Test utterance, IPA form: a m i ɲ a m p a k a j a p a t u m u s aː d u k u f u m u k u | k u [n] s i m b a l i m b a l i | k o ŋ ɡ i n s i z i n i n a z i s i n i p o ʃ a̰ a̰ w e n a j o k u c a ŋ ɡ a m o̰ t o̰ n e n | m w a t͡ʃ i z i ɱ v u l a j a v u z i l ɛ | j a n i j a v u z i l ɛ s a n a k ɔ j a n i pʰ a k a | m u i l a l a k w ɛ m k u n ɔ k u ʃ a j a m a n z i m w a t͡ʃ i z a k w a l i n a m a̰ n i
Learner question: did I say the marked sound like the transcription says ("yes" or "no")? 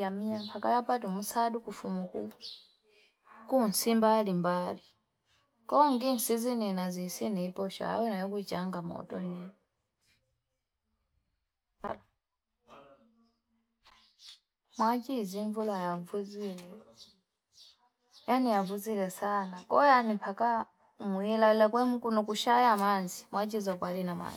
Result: yes